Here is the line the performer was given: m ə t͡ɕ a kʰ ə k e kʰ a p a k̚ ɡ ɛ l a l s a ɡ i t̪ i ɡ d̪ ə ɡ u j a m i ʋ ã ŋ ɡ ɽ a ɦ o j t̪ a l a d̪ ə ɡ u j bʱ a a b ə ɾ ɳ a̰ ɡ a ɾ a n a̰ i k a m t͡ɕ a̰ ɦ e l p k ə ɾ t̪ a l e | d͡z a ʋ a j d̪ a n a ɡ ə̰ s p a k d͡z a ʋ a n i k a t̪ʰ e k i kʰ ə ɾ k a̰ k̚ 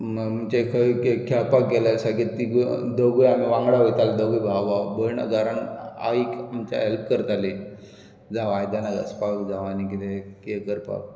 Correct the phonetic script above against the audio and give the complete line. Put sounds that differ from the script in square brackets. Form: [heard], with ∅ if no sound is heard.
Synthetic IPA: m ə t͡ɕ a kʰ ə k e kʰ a p a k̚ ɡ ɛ l a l s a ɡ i t̪ i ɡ d̪ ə ɡ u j a m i ʋ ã ŋ ɡ ɽ a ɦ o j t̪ a l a d̪ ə ɡ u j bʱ a a b ə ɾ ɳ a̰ ɡ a ɾ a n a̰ i k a m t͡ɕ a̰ ɦ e l p k ə ɾ t̪ a l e | d͡z a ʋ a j d̪ a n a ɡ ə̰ s p a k d͡z a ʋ a n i k [i] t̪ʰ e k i [k] ə ɾ [p] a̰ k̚

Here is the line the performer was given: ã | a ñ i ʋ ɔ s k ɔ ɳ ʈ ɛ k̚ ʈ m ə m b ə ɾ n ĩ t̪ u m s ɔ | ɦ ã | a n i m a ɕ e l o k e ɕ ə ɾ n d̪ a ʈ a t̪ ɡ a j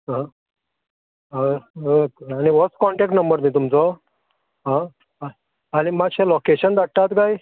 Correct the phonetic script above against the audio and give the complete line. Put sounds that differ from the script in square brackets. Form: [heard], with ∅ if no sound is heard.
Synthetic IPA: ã | a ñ i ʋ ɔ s k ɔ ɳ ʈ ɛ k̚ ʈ [n] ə m b ə ɾ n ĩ t̪ u m [t͡s] ɔ | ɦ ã | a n i m a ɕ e l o k e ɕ ə [∅] n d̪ a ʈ a t̪ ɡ a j

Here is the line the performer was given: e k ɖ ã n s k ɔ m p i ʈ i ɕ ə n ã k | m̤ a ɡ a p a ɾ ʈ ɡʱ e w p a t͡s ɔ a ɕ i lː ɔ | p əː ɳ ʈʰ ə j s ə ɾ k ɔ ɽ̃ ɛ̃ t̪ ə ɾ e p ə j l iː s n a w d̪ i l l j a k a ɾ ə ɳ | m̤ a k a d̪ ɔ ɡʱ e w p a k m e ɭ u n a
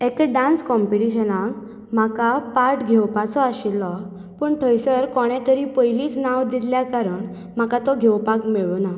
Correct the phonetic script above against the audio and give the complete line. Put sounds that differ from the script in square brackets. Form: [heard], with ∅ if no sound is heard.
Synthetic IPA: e k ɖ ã n s k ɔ m p i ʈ i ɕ ə n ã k | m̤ a [k] a p a ɾ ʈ ɡʱ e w p a t͡s ɔ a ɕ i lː ɔ | p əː ɳ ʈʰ ə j s ə ɾ k ɔ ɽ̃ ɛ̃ t̪ ə ɾ [i] p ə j l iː [t͡s] n a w d̪ i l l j a k a ɾ ə ɳ | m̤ a k a [t̪] ɔ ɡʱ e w p a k m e ɭ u n a

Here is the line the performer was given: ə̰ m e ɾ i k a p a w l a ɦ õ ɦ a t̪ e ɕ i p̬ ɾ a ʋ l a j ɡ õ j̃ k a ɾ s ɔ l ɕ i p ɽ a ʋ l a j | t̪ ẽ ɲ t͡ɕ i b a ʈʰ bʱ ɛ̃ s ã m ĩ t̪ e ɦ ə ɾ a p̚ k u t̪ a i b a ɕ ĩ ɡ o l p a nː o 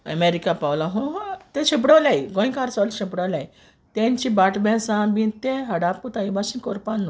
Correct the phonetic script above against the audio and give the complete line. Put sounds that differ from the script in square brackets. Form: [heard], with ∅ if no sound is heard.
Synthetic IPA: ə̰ m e ɾ i k a p a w l a ɦ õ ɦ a t̪ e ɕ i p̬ [ɽ] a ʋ l a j ɡ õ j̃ k a ɾ s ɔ l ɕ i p ɽ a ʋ l a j | t̪ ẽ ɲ t͡ɕ i b a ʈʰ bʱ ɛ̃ s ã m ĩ t̪ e ɦ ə [ɽ] a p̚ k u t̪ a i b a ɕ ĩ [k] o [ɾ] p a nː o

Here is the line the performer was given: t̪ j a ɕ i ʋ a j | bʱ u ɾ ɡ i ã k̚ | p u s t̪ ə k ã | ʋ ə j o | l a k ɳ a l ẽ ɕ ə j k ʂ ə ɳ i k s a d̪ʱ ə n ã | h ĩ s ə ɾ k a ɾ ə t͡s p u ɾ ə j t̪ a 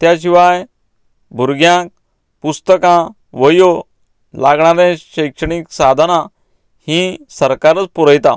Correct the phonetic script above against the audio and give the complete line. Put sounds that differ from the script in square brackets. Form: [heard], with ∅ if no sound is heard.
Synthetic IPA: t̪ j a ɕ i ʋ a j | bʱ u ɾ ɡ [j] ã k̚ | p u s t̪ ə k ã | ʋ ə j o | l a [ɡ] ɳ a [ɾ] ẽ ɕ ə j k ʂ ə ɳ i k s a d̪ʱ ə n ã | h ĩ s ə ɾ k a ɾ ə t͡s p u ɾ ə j t̪ a

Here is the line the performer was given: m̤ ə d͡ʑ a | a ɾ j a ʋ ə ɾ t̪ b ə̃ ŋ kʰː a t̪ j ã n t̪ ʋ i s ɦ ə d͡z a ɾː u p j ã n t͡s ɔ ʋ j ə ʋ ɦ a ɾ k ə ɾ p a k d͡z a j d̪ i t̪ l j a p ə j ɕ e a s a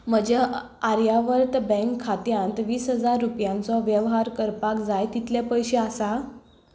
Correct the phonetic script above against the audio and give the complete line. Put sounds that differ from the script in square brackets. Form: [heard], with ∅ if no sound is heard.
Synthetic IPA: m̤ ə d͡ʑ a | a ɾ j a ʋ ə ɾ t̪ b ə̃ ŋ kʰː a t̪ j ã n t̪ ʋ [iː] s ɦ ə d͡z a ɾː u p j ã n t͡s ɔ ʋ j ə ʋ ɦ a ɾ k ə ɾ p a k d͡z a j [t̪] i t̪ l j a p ə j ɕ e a s a

